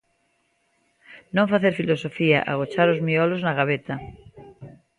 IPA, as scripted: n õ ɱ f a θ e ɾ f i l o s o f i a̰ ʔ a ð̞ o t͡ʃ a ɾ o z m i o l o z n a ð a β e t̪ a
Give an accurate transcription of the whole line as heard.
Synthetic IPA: n õ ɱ f a θ e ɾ f i l o s o f i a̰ ʔ a ɣ̞ o t͡ʃ a ɾ o z m i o l o z n a ɣ a β e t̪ a